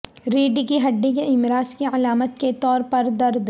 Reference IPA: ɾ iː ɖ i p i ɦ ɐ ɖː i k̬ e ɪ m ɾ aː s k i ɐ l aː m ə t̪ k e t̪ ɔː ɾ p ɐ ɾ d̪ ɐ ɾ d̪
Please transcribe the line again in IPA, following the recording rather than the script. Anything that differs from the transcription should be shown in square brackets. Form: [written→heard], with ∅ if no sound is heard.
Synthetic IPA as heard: ɾ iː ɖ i [p→k] i ɦ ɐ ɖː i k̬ e ɪ m ɾ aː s k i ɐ l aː m ə t̪ k e t̪ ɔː ɾ p ɐ ɾ d̪ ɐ ɾ d̪